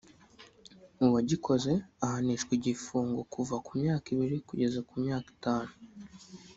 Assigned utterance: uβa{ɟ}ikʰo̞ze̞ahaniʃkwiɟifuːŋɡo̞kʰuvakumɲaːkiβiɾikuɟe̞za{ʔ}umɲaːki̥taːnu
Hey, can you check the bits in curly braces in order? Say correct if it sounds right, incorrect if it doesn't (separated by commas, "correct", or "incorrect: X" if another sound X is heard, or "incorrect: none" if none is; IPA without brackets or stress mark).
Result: correct, incorrect: k